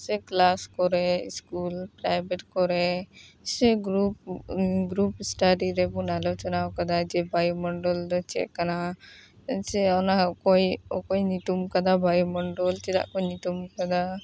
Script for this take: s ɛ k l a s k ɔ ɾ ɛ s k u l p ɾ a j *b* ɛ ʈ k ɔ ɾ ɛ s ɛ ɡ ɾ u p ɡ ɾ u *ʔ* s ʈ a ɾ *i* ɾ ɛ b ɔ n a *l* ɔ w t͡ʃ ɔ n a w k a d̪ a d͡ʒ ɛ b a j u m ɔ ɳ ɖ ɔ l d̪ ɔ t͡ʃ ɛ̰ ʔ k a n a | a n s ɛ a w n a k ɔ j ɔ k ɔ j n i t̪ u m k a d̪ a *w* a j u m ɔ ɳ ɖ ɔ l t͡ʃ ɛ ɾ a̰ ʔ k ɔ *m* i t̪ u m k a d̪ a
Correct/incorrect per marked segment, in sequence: correct, incorrect: p, correct, correct, incorrect: b, incorrect: n

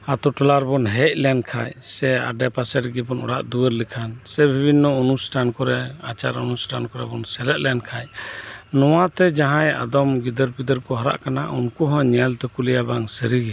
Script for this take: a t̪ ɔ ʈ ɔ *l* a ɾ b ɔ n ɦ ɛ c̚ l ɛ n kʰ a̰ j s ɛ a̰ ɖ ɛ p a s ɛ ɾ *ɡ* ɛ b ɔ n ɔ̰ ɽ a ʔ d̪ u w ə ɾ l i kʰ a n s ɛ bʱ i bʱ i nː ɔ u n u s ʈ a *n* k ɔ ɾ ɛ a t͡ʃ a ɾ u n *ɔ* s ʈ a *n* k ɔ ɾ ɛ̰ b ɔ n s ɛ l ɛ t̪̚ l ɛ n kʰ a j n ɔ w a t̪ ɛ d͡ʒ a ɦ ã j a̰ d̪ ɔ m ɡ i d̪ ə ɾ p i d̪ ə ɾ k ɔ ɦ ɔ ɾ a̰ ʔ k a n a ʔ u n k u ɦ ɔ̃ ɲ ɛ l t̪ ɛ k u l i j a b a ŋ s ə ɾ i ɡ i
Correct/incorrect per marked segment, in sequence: correct, correct, correct, incorrect: u, correct

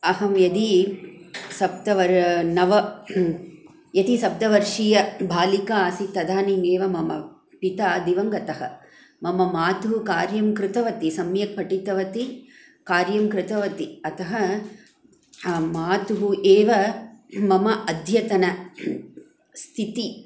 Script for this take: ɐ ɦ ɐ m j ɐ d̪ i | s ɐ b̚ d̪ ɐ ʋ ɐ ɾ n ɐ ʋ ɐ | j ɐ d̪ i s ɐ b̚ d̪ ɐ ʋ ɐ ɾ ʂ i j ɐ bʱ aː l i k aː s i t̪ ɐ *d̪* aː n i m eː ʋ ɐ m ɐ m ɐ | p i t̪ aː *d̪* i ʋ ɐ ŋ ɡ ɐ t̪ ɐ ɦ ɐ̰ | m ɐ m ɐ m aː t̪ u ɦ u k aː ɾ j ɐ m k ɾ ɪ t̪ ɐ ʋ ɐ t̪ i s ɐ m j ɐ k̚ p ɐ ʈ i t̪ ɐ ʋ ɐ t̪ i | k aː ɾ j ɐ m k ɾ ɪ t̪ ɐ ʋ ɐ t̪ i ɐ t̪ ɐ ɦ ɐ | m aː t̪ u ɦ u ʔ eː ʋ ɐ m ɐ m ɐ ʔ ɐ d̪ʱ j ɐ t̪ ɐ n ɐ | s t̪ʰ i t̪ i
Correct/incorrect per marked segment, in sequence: correct, correct

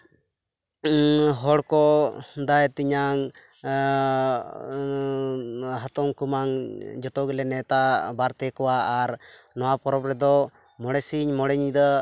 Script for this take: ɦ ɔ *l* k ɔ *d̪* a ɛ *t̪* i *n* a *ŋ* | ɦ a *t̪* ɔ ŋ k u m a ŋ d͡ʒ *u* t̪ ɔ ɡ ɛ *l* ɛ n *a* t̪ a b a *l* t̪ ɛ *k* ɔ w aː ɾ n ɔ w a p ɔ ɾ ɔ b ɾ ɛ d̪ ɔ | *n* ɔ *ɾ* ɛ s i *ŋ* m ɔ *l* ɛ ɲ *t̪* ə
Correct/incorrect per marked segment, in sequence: incorrect: ɽ, correct, correct, incorrect: ɲ, correct, correct, incorrect: ɔ, correct, incorrect: ɛ, incorrect: ɾ, correct, incorrect: m, incorrect: ɽ, incorrect: ɲ, incorrect: ɽ, incorrect: d̪

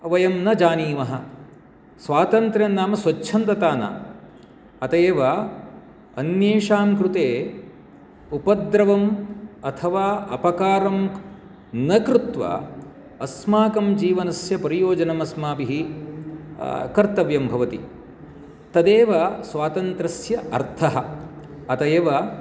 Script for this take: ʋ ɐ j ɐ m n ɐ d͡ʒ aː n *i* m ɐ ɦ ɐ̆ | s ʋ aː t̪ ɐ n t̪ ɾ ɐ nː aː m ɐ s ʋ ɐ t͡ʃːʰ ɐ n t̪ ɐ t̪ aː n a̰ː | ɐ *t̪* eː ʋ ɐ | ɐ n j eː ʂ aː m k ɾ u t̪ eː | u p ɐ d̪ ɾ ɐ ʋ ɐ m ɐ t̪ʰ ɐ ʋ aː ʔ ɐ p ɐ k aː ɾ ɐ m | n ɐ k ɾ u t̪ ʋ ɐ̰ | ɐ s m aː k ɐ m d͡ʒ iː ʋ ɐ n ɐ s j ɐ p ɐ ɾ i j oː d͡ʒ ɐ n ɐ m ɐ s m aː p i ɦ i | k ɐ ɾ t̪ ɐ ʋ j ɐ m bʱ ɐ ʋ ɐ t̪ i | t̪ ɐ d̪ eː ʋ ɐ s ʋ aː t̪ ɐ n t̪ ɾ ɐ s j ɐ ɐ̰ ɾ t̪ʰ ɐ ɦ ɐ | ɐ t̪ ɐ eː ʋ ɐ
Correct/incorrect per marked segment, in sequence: incorrect: iː, correct

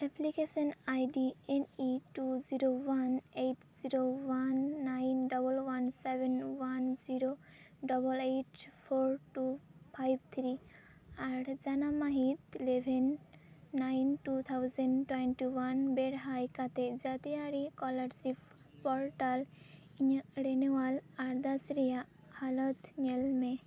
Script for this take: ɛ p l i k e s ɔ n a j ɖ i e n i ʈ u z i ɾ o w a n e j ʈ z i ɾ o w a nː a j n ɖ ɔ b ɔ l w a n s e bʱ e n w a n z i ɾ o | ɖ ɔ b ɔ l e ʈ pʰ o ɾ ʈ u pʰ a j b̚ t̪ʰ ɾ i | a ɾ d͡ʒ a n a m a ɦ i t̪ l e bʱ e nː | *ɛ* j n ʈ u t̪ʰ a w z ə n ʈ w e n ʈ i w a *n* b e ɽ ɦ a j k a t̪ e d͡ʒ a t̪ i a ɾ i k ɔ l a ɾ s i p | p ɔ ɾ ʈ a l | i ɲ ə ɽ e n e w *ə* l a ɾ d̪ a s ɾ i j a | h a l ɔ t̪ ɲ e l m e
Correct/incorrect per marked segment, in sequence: incorrect: a, correct, incorrect: a

